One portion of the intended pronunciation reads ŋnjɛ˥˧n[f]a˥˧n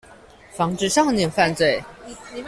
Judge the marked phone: correct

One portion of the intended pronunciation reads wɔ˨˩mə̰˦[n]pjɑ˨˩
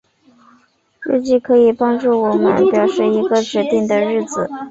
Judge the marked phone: correct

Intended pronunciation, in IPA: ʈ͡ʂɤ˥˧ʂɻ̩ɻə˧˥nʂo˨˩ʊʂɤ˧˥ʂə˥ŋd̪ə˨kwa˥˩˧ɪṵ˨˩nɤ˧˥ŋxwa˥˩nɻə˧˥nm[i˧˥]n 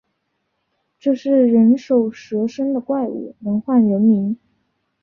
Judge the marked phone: correct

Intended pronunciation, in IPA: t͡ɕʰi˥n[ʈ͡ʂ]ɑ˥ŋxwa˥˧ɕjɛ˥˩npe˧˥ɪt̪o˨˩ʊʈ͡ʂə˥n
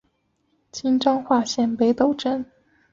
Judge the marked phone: correct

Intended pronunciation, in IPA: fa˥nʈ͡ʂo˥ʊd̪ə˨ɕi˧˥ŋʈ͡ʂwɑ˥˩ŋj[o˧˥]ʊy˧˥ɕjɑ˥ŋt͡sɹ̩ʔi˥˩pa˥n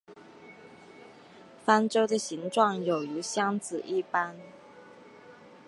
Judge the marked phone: incorrect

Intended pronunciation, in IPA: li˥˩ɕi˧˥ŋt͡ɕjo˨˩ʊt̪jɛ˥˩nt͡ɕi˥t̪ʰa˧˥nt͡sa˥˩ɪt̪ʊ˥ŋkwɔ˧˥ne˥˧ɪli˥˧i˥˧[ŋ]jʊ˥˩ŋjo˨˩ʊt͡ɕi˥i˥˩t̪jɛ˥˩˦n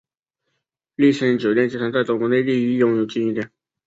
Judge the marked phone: incorrect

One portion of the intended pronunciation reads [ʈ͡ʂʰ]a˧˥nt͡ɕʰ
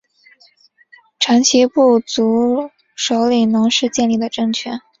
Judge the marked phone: correct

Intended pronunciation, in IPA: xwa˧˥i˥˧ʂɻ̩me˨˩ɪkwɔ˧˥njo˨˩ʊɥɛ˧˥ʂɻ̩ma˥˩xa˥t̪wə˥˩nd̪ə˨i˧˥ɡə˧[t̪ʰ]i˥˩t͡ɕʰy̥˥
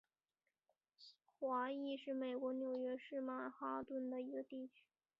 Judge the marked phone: incorrect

